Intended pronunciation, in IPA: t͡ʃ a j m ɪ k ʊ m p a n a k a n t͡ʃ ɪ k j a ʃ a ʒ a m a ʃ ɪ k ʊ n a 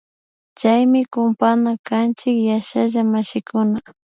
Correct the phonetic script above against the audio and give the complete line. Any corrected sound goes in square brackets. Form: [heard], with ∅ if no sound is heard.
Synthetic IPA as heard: t͡ʃ a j m ɪ k ʊ m p a n a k a n t͡ʃ ɪ k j a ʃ a ʒ a m a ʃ ɪ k ʊ n a